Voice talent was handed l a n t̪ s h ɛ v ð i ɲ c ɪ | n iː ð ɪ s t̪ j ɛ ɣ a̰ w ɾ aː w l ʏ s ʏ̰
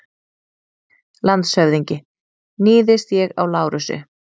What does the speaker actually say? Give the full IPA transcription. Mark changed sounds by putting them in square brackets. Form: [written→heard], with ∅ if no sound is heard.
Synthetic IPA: l a n t̪ s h [ɛ→œ] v ð i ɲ c ɪ | n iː ð ɪ s t̪ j ɛ ɣ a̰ w [ɾ→l] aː w [l→ɾ] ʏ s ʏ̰